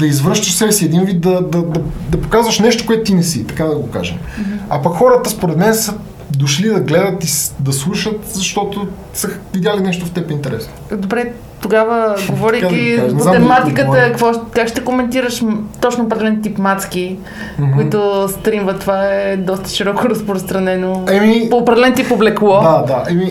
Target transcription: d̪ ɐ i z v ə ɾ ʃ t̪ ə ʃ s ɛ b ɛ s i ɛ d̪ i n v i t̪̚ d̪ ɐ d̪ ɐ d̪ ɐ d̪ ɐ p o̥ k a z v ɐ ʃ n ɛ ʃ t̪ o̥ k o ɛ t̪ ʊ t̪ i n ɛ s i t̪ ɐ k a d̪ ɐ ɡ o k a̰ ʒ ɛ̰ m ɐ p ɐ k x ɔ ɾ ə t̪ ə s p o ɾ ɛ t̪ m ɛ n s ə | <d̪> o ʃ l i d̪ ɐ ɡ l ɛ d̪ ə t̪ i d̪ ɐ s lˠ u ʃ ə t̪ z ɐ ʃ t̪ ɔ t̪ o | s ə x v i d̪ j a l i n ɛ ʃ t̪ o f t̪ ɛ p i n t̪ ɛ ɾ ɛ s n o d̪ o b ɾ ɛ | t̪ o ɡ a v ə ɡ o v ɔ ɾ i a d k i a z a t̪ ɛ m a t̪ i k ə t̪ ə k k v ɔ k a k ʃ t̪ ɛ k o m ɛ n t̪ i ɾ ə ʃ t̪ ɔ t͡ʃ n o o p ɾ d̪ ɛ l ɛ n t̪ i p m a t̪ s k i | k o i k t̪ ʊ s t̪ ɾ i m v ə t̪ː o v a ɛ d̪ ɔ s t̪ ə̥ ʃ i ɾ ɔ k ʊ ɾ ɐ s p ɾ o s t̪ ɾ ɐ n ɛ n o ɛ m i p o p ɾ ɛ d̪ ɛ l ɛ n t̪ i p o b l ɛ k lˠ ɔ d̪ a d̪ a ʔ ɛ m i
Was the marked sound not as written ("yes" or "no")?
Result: no